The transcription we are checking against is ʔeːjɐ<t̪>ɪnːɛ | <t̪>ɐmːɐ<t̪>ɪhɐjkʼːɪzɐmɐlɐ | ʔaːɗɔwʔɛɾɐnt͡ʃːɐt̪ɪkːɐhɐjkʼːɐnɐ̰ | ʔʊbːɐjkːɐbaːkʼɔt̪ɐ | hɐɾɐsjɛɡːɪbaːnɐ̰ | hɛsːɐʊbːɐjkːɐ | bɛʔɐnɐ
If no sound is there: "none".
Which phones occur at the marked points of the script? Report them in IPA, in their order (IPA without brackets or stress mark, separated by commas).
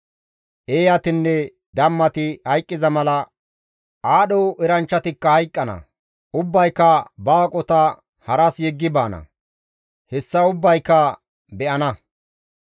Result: t̪, d̪, t̪